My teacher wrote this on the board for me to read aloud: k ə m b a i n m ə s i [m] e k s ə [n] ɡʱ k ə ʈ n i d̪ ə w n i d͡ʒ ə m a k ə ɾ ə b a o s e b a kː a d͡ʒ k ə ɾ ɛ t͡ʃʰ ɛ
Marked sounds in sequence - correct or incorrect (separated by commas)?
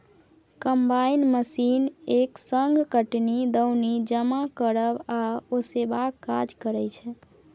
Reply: incorrect, incorrect